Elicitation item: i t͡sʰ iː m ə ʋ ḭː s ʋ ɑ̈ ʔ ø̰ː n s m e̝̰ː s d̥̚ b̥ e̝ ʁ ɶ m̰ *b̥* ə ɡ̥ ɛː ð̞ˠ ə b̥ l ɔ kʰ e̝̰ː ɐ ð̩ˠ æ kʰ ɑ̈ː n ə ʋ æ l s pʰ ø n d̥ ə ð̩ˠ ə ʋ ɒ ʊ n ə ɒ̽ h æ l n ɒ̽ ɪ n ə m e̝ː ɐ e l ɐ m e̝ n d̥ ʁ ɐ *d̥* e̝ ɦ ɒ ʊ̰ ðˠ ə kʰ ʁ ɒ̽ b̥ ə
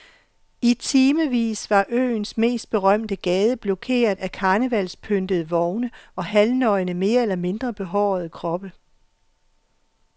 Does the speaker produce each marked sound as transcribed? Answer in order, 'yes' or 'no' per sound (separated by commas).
no, no